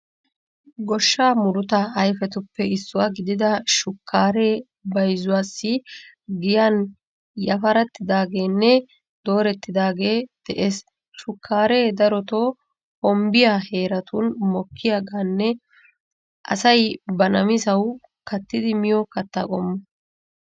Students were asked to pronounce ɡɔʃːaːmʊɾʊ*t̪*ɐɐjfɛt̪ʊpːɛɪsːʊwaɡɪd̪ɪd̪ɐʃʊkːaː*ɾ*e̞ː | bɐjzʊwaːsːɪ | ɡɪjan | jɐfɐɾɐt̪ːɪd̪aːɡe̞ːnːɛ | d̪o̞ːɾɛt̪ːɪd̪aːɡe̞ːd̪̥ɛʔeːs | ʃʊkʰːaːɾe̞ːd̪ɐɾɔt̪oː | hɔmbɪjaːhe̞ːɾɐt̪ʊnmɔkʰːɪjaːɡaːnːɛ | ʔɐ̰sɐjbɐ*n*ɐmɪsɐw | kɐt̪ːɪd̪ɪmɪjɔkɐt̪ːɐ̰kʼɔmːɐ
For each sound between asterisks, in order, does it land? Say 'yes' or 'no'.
yes, yes, yes

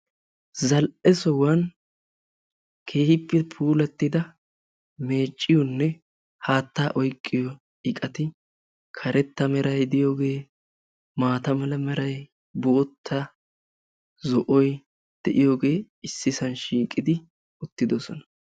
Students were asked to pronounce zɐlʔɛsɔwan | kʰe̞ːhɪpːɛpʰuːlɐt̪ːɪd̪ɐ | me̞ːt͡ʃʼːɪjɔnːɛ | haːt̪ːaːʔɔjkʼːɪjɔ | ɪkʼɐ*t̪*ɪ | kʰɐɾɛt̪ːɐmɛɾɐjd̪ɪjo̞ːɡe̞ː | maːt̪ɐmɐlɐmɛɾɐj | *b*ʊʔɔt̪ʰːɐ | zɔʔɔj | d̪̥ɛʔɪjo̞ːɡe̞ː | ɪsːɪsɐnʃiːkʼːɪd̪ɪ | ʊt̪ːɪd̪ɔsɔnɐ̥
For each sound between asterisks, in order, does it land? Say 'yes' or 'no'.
yes, yes

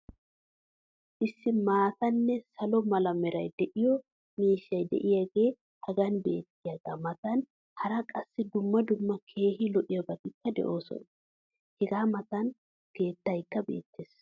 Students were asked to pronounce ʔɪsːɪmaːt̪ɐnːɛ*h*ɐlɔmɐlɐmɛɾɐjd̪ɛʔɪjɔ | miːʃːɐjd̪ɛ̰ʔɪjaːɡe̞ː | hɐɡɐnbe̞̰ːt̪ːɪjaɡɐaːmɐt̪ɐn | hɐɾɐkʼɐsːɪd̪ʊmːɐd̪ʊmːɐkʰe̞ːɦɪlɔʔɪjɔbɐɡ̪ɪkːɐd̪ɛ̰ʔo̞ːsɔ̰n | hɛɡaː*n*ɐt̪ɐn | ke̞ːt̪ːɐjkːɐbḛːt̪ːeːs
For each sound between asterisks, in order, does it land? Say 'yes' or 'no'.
no, no

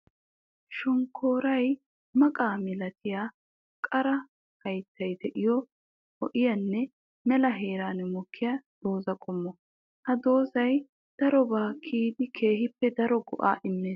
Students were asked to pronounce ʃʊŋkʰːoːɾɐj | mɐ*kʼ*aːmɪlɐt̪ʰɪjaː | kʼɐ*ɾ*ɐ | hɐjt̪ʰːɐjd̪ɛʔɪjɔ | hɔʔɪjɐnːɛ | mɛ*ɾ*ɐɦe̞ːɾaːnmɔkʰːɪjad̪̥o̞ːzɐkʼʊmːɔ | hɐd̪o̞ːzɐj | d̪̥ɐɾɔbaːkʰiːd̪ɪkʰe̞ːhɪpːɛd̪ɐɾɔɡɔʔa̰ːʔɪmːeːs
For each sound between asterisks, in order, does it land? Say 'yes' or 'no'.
yes, yes, no

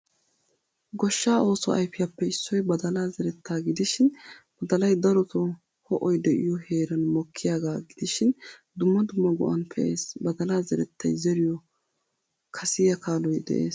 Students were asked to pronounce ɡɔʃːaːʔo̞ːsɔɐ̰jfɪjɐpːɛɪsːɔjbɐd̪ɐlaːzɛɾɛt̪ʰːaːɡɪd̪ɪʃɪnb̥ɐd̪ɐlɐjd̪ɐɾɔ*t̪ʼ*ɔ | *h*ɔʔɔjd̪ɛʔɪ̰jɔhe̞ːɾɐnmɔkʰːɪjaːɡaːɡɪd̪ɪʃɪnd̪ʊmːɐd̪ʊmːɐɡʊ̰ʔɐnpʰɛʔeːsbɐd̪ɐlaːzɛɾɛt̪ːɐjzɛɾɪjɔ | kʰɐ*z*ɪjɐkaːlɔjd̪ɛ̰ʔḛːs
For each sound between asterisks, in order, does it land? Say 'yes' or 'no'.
no, yes, no

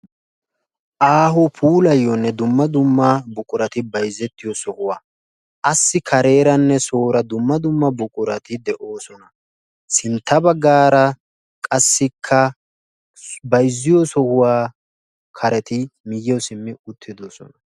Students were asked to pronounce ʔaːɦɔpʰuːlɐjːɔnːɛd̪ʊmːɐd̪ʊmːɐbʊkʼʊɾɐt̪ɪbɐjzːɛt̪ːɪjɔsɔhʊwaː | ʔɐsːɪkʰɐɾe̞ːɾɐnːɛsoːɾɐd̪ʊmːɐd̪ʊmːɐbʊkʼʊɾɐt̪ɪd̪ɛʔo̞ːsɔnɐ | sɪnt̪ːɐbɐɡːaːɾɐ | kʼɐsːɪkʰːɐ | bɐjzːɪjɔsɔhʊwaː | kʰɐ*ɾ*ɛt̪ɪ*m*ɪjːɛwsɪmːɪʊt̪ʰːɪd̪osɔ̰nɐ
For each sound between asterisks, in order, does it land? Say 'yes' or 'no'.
yes, yes

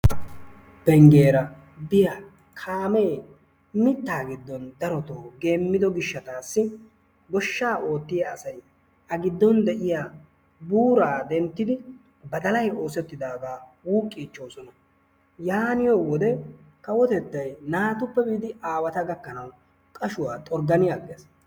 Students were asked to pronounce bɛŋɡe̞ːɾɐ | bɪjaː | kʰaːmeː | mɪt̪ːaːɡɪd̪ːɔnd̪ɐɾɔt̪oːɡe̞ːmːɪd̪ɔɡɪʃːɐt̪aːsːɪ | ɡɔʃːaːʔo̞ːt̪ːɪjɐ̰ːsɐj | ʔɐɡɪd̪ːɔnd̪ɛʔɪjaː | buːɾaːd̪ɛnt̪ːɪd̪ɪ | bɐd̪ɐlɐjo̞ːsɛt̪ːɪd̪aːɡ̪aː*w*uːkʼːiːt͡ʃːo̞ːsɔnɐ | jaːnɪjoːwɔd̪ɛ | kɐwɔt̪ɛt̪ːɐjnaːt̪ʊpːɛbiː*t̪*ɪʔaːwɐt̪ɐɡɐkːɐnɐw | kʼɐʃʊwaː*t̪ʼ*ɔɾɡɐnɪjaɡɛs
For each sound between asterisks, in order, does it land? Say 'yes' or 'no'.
yes, no, yes

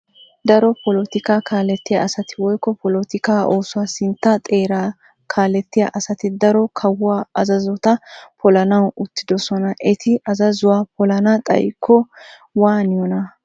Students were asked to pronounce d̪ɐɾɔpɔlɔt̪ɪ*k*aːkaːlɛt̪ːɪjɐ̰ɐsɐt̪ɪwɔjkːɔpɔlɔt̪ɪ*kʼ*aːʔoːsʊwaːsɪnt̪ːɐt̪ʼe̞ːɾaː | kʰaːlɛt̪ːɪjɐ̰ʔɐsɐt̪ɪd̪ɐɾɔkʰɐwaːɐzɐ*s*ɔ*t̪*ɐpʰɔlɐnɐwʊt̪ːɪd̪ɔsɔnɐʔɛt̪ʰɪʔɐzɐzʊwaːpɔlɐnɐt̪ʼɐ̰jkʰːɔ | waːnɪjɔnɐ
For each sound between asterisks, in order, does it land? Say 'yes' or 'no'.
yes, no, no, yes

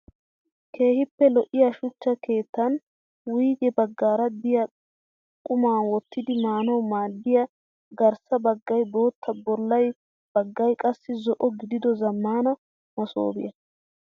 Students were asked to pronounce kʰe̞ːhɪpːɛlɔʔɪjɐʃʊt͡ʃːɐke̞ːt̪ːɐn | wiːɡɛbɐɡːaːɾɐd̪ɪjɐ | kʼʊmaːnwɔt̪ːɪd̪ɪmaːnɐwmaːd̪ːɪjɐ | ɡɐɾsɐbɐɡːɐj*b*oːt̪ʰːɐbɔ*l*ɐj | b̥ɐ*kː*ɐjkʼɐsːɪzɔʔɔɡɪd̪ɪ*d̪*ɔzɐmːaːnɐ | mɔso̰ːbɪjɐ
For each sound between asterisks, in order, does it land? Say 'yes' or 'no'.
yes, no, no, yes

